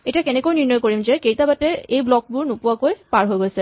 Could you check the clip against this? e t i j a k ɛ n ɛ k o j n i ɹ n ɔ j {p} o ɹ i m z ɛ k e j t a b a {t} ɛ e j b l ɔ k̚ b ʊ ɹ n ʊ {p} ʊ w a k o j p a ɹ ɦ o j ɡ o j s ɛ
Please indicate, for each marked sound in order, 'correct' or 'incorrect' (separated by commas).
incorrect, correct, correct